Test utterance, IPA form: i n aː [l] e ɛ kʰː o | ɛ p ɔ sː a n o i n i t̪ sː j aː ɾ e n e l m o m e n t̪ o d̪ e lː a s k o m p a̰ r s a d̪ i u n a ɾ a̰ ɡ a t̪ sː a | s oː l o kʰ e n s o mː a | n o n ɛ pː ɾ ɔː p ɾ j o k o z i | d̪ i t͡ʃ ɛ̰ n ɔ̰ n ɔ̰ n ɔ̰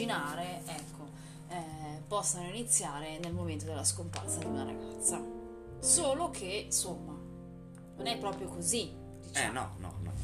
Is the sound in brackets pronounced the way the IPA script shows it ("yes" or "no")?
no